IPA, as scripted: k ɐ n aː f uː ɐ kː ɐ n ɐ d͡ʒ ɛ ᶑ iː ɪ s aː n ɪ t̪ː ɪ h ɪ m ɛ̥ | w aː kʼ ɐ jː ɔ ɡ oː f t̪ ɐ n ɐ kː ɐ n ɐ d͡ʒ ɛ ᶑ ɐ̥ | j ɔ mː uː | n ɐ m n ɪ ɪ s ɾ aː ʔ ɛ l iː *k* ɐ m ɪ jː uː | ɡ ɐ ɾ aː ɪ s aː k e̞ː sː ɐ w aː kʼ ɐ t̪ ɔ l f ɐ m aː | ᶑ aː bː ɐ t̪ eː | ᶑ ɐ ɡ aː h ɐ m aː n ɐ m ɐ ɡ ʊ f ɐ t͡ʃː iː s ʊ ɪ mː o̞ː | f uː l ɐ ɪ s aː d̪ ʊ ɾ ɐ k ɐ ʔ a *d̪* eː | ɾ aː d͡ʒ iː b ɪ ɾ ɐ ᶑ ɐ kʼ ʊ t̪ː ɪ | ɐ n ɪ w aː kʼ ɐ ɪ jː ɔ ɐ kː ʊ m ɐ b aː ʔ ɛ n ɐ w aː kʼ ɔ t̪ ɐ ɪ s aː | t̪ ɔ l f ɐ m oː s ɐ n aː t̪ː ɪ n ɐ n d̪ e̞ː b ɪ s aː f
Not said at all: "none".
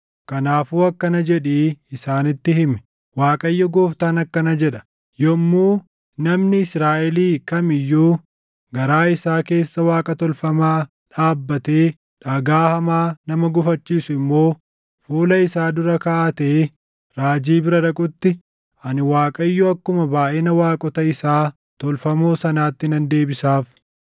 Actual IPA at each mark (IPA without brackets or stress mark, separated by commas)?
k, t̪